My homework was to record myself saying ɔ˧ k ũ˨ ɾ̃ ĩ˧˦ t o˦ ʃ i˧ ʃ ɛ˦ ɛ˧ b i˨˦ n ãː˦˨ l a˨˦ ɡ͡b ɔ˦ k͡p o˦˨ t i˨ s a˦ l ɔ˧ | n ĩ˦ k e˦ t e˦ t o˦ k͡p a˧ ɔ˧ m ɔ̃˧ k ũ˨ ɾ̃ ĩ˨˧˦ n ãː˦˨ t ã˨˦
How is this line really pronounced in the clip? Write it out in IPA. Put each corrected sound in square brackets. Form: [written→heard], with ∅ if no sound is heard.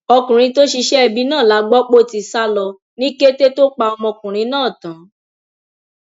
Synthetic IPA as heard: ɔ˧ k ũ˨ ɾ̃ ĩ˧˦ t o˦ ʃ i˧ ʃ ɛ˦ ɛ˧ b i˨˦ n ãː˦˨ l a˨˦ ɡ͡b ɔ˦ k͡p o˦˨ t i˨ s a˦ l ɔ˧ | n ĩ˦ k e˦ t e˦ t o˦ k͡p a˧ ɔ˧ m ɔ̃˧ k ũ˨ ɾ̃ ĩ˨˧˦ n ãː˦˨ t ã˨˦